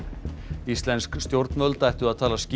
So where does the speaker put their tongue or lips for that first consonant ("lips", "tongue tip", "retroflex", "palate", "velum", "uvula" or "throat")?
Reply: tongue tip